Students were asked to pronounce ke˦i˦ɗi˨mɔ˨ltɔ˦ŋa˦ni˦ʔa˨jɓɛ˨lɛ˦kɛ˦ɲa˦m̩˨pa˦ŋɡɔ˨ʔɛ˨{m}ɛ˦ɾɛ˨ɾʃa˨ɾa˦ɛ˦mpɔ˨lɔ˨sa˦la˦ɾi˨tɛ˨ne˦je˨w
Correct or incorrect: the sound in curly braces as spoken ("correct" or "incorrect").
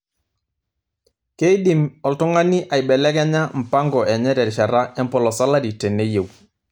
incorrect